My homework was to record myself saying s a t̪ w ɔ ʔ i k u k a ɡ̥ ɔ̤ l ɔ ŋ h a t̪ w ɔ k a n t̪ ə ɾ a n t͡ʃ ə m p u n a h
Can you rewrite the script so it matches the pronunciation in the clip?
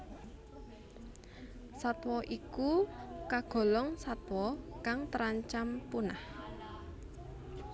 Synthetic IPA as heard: s a t̪ w ɔ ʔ i k u k a ɡ̥ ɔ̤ l ɔ ŋ s a t̪ w ɔ k a ŋ t̪ ə ɾ a ɲ t͡ʃ a m p u n a h